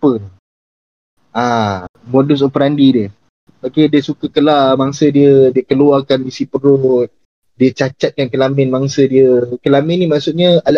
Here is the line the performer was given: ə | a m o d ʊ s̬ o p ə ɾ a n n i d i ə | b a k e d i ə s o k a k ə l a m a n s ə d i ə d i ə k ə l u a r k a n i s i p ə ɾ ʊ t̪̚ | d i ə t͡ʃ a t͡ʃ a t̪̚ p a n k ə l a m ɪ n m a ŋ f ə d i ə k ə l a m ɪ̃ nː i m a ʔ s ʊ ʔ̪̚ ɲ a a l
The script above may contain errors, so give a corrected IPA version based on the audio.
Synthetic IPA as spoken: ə | a m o d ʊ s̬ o p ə ɾ a n d i d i ə | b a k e d i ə s u k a k ə l a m a ŋ s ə d i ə d i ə k ə l u a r k a n i s i p ə ɾ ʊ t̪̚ | d i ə t͡ʃ a t͡ʃ a t̪̚ k a n k ə l a m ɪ n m a ŋ s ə d i ə k ə l a m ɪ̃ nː i m a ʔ s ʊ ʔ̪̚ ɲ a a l